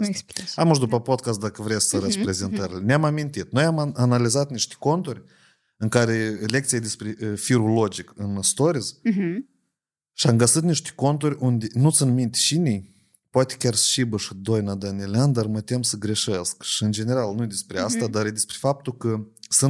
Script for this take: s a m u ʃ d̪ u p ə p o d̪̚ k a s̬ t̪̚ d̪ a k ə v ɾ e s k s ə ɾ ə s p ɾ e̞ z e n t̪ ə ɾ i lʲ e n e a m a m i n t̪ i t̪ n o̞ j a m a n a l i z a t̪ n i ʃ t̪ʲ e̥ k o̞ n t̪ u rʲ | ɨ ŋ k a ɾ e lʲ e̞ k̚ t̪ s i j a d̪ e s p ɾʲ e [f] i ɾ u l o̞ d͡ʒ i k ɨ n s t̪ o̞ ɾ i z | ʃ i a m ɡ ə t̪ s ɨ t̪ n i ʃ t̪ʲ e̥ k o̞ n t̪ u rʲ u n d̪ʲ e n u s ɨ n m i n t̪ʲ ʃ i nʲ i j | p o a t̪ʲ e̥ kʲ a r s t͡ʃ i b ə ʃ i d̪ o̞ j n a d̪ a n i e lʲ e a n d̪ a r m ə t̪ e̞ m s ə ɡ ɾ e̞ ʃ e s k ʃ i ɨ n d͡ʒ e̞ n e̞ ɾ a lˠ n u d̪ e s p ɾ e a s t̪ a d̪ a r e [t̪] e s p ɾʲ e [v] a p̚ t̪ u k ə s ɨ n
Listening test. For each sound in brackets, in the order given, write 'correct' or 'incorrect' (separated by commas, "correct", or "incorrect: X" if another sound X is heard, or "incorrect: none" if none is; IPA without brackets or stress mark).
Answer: correct, incorrect: d̪, incorrect: f